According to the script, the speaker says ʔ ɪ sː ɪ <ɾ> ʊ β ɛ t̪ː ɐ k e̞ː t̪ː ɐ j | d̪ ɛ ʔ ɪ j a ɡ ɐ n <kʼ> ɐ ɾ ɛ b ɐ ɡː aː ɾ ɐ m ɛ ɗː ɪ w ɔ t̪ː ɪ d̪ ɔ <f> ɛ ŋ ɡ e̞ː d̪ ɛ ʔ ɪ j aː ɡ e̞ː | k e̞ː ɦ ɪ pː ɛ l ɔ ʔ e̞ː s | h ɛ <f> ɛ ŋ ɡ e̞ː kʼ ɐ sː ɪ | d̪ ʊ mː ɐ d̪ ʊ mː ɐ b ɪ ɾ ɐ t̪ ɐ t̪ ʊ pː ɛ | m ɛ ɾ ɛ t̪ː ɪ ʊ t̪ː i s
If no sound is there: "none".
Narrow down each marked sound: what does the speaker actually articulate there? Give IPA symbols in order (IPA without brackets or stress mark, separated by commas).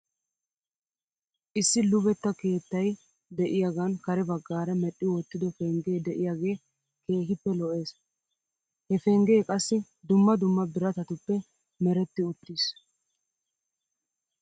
l, k, f, f